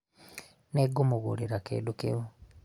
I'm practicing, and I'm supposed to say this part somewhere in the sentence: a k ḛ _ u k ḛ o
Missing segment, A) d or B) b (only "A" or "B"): A